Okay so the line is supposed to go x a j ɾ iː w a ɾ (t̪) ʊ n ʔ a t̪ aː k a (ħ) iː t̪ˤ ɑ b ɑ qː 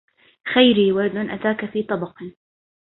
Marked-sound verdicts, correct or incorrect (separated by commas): incorrect, incorrect